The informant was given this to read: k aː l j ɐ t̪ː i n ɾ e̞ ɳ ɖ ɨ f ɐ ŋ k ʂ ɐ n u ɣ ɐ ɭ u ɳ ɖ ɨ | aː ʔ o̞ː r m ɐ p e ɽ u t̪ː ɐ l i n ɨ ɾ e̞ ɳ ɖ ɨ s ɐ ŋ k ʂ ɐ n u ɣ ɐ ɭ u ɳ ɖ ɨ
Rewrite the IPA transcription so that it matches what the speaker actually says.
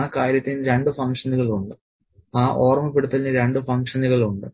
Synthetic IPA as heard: k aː ɾ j ɐ t̪ː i n ɾ e̞ ɳ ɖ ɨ f ɐ ŋ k ʂ ɐ n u ɣ ɐ ɭ u ɳ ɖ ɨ | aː ʔ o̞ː r m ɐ p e ɽ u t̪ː ɐ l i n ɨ ɾ e̞ ɳ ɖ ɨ f ɐ ŋ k ʂ ɐ n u ɣ ɐ ɭ u ɳ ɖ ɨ

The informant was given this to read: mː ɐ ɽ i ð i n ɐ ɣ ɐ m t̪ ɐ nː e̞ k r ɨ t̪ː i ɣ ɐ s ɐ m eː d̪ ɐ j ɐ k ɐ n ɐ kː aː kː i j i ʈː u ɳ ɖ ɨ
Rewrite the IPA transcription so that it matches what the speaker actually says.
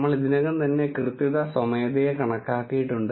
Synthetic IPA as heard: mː ɐ ɭ i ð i n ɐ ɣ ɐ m t̪ ɐ nː e̞ k r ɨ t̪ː i ð ɐ s ɐ m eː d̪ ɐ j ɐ k ɐ ɳ ɐ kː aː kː i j i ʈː u ɳ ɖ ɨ

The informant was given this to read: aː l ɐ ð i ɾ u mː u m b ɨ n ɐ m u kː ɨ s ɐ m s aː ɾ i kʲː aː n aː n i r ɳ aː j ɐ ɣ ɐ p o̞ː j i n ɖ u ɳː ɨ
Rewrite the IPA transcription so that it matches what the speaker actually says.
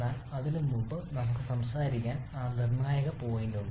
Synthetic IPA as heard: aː l ɐ ð i l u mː u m b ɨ n ɐ m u kː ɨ s ɐ m s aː ɾ i kʲː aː n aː n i r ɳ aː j ɐ ɣ ɐ p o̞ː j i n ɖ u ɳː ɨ

